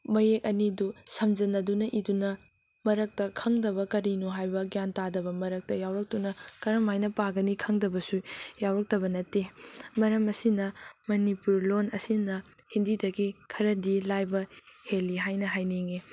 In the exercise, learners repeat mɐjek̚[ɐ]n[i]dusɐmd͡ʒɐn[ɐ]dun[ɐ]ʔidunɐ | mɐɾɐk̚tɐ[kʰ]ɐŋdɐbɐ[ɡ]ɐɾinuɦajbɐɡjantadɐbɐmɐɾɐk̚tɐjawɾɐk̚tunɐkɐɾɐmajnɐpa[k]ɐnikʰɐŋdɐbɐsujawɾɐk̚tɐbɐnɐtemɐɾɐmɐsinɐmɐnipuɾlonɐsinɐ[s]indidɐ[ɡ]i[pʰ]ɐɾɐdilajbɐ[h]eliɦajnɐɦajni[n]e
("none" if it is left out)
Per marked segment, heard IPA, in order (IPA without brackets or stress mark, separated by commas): ɐ, i, ɐ, ɐ, kʰ, k, ɡ, h, ɡ, kʰ, h, ŋ